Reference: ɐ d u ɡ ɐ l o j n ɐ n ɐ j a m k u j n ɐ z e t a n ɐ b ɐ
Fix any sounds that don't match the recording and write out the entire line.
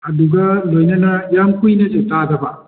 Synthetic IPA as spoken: ɐ d u ɡ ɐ l o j n ɐ n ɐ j a m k u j n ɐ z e t a d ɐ b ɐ